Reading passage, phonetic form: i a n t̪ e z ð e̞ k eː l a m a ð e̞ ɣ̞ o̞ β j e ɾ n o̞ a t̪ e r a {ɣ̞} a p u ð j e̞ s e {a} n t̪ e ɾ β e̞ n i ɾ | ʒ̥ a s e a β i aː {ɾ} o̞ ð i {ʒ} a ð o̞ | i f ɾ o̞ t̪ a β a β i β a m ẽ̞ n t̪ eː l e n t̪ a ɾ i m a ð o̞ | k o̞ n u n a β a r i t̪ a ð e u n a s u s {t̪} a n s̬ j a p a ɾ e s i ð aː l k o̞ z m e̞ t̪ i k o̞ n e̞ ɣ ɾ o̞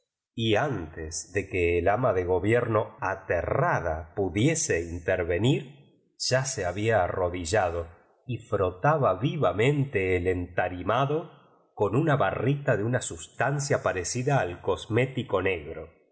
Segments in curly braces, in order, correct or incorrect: incorrect: ð̞, incorrect: i, incorrect: r, correct, correct

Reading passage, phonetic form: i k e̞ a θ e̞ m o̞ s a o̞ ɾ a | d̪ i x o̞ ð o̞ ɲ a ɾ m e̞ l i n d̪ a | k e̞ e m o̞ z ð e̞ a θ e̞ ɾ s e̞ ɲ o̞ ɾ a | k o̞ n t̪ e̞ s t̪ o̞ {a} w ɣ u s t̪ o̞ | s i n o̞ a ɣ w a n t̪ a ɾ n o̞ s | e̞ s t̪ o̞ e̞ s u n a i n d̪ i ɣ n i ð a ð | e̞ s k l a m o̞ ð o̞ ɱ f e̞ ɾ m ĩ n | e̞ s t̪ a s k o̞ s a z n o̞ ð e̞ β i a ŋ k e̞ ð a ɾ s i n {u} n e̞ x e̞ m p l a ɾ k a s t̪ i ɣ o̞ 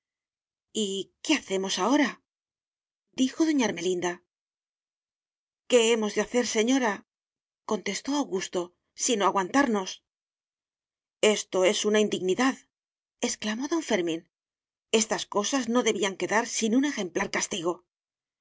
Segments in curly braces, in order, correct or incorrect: correct, correct

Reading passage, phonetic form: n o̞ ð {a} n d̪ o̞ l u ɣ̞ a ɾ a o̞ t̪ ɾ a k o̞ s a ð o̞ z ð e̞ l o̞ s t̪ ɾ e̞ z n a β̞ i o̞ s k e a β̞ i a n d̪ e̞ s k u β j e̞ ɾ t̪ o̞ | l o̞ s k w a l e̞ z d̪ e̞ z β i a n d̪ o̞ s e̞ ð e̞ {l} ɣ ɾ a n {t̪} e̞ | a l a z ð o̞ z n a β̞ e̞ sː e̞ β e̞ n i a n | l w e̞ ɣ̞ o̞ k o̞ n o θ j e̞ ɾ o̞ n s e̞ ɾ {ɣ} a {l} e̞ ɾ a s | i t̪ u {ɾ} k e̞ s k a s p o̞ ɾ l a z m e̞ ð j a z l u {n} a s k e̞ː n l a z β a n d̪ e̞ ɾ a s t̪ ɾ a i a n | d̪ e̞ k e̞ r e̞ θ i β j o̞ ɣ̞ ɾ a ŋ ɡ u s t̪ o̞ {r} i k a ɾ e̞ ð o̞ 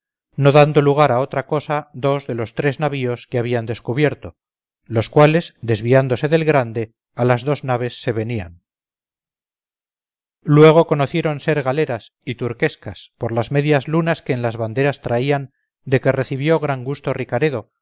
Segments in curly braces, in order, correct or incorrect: correct, correct, incorrect: d̪, correct, correct, correct, correct, correct

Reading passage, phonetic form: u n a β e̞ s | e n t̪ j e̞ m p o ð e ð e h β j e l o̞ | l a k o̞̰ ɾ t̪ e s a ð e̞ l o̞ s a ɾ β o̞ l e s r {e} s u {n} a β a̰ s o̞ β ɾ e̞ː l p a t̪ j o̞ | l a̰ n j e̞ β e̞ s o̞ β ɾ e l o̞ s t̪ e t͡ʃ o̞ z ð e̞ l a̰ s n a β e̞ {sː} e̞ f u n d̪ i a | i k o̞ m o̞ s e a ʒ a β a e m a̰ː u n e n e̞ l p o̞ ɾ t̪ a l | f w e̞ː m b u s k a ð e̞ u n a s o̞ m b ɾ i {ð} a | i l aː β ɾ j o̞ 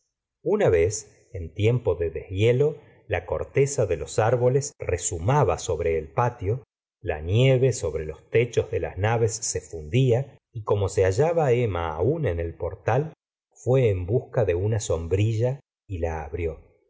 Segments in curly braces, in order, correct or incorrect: correct, incorrect: m, correct, incorrect: ʒ

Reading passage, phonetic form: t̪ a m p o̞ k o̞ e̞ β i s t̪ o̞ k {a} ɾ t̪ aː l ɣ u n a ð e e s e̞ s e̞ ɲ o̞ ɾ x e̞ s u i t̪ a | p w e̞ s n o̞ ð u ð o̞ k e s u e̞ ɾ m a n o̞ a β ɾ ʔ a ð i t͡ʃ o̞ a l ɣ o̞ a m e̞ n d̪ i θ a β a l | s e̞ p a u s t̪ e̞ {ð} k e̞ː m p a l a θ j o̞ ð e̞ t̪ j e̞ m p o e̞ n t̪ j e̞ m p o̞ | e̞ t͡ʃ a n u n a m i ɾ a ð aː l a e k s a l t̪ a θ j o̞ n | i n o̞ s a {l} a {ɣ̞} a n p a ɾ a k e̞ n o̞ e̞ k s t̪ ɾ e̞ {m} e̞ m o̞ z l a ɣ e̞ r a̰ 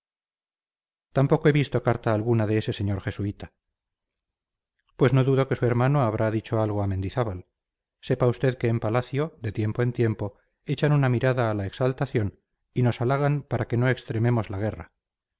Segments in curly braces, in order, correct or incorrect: correct, correct, correct, correct, correct

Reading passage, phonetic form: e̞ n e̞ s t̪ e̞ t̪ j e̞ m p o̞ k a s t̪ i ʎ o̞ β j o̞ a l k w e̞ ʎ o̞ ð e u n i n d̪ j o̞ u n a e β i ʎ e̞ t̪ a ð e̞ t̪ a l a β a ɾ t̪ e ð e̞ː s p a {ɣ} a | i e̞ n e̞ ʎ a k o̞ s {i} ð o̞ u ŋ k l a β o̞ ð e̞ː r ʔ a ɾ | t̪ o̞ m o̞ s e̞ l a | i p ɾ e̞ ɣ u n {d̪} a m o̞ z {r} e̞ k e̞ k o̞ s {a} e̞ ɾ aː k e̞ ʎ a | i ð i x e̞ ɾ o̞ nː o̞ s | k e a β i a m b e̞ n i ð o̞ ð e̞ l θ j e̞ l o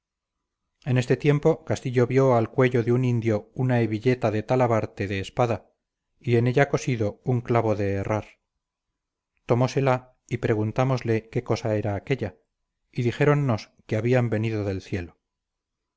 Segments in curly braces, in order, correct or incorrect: incorrect: ð, correct, incorrect: t̪, incorrect: l, correct

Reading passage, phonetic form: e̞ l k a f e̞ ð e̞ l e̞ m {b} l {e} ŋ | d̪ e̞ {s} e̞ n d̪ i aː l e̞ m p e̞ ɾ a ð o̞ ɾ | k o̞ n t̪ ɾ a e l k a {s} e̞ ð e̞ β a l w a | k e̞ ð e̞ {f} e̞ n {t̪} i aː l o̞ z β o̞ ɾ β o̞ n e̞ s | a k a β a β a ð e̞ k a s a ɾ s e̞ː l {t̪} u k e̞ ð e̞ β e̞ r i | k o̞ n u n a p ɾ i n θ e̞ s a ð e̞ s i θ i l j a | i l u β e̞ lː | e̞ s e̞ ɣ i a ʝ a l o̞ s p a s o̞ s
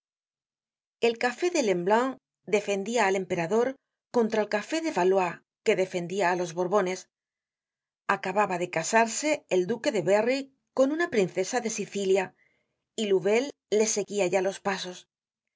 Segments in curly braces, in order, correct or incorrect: correct, incorrect: a, incorrect: f, incorrect: f, correct, incorrect: d̪, incorrect: d̪

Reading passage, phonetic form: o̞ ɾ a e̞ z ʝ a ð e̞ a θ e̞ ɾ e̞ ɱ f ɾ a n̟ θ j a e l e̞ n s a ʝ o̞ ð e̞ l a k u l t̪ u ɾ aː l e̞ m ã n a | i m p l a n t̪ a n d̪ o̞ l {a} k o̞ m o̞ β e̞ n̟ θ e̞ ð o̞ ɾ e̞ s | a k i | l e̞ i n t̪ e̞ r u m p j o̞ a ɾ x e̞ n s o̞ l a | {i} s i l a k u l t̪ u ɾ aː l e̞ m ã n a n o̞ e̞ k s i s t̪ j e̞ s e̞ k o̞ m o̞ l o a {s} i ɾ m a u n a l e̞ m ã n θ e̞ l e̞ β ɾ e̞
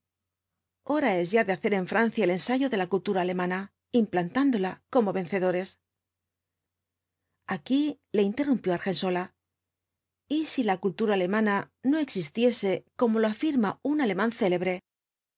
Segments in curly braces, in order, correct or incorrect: correct, correct, incorrect: f

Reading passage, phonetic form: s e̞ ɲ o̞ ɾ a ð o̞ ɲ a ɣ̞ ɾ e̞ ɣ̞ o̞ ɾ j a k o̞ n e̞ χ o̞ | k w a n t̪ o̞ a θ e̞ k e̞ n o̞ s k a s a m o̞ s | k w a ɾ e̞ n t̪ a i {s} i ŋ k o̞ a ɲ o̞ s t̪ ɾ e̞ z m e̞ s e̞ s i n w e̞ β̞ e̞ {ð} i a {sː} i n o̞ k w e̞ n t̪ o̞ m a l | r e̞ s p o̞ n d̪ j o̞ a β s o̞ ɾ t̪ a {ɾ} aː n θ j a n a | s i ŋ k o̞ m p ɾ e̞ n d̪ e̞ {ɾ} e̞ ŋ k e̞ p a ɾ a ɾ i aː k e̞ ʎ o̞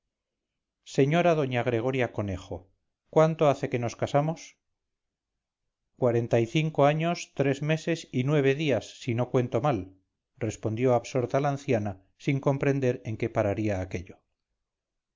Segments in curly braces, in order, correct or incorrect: incorrect: θ, correct, correct, incorrect: l, correct

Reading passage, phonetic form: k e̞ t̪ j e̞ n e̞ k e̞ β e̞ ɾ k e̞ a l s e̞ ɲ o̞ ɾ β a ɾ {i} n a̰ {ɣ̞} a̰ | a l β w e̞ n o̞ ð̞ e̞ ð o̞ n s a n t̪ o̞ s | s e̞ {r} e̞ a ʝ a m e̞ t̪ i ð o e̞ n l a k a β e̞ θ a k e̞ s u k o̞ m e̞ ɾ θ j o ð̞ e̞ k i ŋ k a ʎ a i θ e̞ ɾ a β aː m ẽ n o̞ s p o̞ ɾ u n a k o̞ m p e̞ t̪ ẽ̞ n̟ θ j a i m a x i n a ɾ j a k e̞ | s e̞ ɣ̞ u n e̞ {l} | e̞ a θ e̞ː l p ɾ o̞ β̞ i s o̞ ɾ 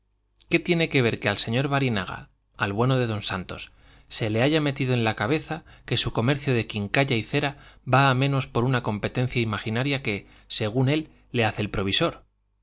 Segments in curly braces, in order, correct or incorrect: correct, correct, incorrect: l, incorrect: lː

